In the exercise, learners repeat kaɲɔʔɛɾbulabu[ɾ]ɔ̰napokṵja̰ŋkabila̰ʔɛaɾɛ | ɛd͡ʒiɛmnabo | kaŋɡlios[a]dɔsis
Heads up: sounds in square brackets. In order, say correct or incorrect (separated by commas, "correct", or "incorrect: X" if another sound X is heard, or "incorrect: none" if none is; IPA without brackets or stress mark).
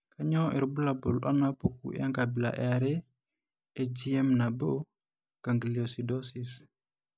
incorrect: l, incorrect: i